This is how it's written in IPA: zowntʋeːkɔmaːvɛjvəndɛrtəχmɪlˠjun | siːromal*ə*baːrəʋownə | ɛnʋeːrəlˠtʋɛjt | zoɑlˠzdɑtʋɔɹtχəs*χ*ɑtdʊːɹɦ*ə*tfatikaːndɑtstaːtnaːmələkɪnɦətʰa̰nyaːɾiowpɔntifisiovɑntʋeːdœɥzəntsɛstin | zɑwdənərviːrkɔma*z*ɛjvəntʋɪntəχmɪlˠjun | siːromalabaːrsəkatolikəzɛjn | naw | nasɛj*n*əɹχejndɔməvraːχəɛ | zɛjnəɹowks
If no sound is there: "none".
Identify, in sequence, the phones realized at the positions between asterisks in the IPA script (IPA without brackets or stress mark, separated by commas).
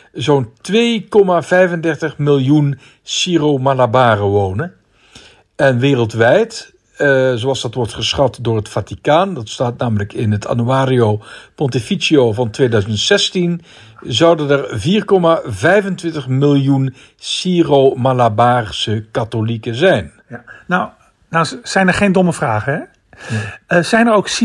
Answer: a, χ, ə, v, n